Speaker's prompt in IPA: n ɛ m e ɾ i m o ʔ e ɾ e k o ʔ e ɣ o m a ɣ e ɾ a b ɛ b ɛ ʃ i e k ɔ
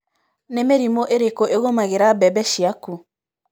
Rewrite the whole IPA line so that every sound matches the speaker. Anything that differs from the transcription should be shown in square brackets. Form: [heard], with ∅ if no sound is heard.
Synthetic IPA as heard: n [e] m e ɾ i m o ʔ e ɾ e k o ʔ e ɣ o m a ɣ e ɾ a b ɛ b ɛ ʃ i [a] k [u]